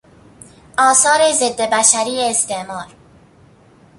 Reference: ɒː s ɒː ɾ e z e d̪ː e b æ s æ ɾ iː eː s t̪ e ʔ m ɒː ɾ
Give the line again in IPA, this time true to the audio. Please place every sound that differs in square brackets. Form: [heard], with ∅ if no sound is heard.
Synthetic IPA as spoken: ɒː s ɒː ɾ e z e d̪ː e b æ [ʃ] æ ɾ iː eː s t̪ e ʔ m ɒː ɾ